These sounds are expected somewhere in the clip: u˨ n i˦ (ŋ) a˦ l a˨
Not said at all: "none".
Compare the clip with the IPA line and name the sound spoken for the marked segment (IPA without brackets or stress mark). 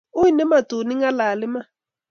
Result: ŋ